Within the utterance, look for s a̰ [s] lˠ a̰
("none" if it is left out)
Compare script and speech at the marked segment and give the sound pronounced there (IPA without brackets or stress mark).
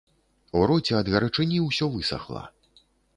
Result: x